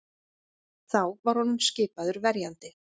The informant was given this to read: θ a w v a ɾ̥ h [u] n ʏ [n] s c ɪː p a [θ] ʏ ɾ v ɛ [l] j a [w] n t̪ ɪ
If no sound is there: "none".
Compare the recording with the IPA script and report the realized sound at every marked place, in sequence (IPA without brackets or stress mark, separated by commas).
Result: ɔ, m, ð, ɾ, none